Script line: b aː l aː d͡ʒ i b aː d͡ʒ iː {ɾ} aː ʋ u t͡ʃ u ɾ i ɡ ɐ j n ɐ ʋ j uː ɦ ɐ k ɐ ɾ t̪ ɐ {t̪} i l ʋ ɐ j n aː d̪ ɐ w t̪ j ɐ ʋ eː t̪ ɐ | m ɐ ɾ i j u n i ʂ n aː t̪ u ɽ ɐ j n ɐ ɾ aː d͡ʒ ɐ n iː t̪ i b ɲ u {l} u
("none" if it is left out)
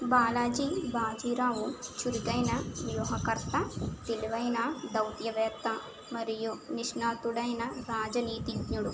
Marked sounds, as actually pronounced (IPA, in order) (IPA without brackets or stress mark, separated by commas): ɾ, t̪, ɽ